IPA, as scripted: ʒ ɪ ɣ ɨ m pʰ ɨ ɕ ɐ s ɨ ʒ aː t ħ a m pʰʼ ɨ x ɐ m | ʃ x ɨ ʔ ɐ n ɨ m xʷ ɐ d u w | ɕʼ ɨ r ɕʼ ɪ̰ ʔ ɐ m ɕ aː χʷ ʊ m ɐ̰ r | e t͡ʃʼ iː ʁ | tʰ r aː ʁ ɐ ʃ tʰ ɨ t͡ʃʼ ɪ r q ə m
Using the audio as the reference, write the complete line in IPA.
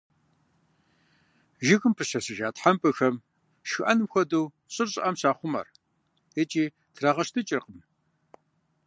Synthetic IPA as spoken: ʒ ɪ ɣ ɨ m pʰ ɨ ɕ ɐ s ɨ ʒ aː t ħ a m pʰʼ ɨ x ɐ m | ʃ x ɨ ʔ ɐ n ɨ m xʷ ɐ d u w | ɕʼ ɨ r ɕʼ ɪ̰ ʔ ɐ m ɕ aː χʷ ʊ m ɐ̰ r | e t͡ʃʼ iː | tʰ r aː ʁ ɐ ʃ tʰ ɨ t͡ʃʼ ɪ r q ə m